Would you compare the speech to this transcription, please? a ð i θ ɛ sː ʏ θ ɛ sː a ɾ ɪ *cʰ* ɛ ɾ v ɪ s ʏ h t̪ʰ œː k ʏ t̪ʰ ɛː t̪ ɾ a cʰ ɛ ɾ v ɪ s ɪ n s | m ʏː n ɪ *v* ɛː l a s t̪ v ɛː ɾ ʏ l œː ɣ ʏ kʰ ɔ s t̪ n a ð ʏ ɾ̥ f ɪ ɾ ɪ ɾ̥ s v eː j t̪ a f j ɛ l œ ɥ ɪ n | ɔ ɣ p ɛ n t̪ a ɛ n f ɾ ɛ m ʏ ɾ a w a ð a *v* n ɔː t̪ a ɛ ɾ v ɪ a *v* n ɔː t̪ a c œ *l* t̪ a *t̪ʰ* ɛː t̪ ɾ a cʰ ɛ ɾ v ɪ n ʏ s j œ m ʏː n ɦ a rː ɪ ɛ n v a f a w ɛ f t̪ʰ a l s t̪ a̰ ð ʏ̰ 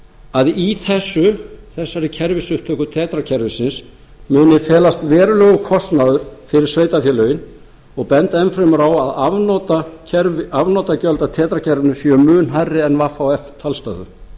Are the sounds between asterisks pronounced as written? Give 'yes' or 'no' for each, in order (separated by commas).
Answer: yes, no, yes, yes, yes, yes